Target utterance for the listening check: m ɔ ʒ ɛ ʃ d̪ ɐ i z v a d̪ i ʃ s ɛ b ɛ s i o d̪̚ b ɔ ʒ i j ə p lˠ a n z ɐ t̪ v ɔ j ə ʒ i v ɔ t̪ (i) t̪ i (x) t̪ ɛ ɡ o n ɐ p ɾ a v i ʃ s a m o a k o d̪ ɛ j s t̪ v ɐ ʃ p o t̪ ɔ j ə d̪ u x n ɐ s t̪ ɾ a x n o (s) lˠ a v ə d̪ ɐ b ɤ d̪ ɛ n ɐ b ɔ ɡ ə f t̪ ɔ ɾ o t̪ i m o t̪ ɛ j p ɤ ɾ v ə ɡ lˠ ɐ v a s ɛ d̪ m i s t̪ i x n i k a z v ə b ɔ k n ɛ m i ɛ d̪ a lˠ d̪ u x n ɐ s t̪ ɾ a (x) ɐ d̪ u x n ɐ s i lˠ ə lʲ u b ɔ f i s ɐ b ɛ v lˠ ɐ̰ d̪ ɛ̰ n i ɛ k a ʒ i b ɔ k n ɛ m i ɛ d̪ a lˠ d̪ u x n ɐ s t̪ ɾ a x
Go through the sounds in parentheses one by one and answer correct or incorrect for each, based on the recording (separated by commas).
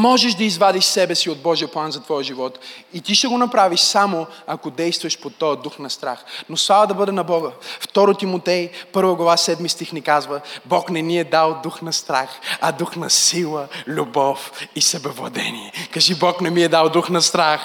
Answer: correct, incorrect, correct, correct